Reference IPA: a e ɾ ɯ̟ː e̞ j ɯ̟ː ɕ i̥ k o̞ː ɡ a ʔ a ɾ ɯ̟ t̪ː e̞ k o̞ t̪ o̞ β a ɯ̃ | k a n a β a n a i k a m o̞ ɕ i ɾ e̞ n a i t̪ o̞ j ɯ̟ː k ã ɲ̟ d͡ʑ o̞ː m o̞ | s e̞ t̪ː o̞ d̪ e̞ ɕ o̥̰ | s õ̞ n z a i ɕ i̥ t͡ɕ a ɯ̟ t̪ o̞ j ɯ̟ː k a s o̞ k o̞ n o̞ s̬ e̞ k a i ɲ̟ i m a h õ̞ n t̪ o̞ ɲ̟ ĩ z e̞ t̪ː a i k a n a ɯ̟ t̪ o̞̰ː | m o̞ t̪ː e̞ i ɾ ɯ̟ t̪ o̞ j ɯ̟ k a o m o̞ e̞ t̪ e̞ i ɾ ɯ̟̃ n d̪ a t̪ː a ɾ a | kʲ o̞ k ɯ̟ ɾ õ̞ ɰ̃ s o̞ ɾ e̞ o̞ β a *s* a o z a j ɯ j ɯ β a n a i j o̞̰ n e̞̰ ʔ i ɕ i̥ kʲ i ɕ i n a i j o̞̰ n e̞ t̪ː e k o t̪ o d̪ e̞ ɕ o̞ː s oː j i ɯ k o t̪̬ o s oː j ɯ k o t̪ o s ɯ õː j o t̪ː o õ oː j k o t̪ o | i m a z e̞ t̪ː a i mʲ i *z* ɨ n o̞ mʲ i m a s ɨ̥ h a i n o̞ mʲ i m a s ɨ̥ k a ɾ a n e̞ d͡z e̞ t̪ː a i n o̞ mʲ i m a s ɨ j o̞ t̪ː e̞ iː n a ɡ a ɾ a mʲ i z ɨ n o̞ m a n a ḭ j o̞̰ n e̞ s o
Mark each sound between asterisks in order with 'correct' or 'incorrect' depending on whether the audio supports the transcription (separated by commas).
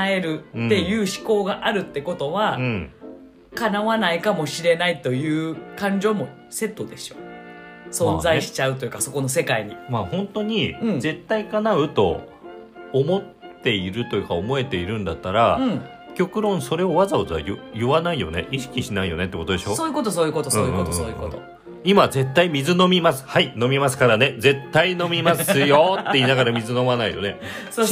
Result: incorrect, correct